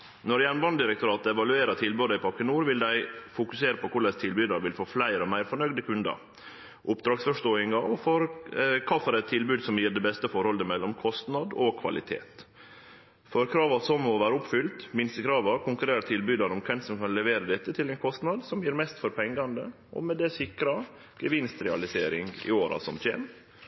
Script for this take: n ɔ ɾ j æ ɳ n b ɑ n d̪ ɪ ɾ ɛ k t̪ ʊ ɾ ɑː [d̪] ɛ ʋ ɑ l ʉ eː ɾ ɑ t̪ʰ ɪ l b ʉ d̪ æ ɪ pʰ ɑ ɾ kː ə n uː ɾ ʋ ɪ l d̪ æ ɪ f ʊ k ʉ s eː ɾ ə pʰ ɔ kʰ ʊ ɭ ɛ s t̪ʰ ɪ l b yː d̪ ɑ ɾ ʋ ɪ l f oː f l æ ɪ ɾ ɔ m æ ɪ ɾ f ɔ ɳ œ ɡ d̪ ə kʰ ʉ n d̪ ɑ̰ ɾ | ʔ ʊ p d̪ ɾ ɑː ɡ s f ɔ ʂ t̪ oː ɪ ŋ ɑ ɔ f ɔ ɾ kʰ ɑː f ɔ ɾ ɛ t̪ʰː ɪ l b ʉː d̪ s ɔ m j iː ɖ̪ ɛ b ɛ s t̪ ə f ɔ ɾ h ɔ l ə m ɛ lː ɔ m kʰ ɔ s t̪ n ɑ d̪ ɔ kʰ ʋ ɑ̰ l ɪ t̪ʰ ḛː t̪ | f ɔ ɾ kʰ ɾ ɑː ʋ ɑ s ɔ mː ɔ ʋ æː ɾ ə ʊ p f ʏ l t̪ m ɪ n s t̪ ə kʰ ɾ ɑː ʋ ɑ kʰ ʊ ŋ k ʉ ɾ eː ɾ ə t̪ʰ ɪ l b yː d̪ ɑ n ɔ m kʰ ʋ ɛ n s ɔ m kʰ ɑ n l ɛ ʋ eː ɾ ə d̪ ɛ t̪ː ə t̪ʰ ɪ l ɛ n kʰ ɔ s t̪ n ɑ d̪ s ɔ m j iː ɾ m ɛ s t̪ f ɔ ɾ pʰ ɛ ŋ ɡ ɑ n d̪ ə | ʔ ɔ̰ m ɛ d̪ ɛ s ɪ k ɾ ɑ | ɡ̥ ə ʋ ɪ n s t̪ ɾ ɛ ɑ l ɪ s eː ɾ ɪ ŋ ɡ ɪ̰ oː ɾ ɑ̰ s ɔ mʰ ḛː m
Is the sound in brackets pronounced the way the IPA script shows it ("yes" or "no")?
no